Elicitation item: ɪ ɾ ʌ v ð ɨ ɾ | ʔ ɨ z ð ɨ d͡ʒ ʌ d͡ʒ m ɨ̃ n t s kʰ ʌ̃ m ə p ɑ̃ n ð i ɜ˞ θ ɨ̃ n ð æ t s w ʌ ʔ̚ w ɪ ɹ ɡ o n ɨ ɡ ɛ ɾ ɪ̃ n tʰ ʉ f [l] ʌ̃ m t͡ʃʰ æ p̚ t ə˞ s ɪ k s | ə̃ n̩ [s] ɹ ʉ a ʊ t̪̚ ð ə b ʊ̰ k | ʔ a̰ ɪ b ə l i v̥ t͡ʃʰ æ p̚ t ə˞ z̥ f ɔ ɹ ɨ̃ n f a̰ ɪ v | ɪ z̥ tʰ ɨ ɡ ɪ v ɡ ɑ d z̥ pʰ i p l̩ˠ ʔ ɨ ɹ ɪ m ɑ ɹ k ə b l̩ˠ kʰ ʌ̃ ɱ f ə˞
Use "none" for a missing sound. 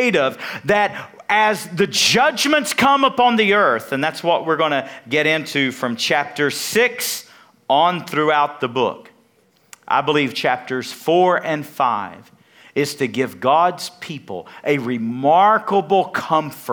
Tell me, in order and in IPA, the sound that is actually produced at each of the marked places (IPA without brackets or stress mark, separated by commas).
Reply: ɹ, θ